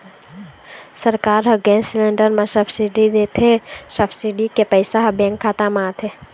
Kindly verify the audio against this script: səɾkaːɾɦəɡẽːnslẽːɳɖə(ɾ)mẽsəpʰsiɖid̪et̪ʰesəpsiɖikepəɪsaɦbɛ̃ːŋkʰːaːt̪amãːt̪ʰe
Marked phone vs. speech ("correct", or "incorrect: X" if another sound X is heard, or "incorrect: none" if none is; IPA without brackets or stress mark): correct